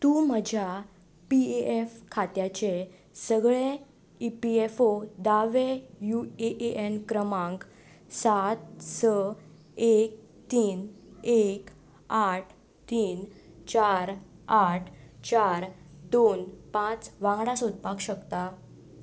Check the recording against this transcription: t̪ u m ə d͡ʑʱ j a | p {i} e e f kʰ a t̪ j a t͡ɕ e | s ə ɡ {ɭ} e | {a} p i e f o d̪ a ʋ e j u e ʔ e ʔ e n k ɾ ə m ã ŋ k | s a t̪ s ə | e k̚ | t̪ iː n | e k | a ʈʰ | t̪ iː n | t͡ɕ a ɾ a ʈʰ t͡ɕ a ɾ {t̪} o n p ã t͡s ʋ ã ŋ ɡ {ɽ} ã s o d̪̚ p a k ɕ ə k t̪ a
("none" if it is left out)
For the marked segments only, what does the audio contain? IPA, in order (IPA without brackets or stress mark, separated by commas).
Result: i, ɭ, i, d̪, ɽ